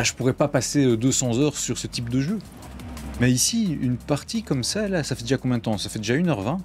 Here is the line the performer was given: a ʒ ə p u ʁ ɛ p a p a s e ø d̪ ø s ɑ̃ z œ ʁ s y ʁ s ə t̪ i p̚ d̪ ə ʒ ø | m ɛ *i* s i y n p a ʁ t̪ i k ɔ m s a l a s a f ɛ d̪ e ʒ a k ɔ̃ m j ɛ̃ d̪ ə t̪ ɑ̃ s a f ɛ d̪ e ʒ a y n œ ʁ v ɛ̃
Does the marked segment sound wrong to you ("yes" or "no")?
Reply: no